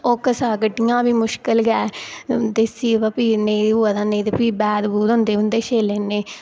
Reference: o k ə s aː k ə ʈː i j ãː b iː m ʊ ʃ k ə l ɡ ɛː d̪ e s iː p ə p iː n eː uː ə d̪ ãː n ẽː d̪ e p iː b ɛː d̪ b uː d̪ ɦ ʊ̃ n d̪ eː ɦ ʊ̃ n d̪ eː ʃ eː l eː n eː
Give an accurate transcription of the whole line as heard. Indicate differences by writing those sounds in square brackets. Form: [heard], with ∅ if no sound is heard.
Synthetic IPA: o k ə s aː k ə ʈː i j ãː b iː m ʊ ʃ k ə l ɡ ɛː d̪ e s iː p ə p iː n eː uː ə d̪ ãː n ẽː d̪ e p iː b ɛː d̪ b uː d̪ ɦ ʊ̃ n d̪ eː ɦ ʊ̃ n d̪ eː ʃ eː l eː n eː